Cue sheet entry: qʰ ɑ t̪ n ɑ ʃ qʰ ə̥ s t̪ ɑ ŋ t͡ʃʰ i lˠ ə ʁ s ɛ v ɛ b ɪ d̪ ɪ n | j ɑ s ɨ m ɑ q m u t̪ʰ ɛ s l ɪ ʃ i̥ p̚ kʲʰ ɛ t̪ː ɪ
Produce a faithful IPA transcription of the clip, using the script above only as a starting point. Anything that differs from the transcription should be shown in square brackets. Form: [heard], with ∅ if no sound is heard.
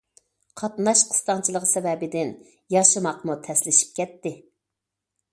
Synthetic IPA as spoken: qʰ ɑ t̪ n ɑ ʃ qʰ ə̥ s t̪ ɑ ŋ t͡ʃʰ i lˠ ə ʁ s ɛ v ɛ b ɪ d̪ ɪ n | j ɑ [ʃ] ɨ m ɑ q m u t̪ʰ ɛ s l ɪ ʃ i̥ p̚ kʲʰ ɛ t̪ː ɪ